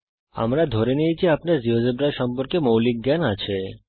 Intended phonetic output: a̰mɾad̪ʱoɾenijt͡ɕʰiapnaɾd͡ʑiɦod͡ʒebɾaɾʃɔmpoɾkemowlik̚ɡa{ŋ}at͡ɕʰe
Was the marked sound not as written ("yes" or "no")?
yes